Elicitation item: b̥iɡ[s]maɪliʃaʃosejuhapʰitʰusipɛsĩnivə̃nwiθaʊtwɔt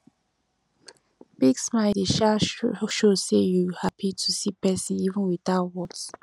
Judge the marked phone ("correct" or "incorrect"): correct